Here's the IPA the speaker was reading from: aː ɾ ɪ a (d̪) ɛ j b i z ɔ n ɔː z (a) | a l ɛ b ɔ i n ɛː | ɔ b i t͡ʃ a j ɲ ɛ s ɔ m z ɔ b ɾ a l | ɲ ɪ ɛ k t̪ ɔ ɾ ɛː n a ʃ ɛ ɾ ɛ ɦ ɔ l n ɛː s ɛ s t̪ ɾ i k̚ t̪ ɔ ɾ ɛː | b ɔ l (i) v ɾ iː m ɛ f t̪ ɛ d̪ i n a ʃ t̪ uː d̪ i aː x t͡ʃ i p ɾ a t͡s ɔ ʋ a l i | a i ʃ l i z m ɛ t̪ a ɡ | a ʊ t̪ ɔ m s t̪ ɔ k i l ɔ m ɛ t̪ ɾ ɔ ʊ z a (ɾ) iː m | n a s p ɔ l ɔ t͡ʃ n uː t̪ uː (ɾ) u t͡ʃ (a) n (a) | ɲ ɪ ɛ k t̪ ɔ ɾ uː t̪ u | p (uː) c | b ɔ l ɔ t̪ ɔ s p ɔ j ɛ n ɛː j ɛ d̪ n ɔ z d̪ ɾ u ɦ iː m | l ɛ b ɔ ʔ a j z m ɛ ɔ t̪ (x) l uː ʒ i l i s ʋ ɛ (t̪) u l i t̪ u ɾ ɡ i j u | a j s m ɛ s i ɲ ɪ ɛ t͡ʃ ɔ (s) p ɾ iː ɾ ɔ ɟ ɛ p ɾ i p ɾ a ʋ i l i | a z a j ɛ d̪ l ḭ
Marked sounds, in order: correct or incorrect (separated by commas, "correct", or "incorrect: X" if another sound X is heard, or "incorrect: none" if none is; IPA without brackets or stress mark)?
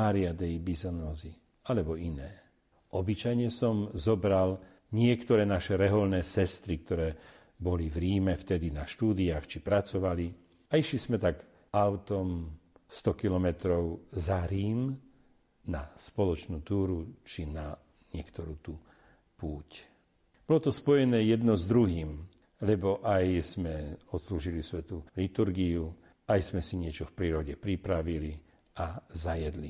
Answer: correct, incorrect: i, correct, correct, correct, incorrect: i, correct, correct, incorrect: s, correct, incorrect: f